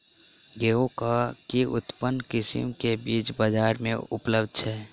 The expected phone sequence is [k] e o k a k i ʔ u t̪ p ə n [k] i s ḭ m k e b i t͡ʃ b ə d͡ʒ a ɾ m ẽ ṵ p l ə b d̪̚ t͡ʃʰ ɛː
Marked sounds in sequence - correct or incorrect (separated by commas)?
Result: incorrect, correct